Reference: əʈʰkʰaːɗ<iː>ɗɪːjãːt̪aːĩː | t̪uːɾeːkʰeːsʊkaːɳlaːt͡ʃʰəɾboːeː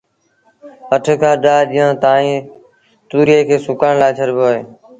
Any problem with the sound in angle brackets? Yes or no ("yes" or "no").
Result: yes